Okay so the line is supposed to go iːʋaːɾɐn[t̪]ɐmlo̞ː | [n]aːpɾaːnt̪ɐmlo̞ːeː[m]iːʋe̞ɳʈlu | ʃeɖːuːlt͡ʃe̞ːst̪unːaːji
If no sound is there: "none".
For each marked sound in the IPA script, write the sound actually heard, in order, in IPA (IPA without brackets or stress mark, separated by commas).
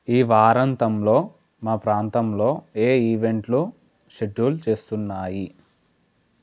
t̪, m, none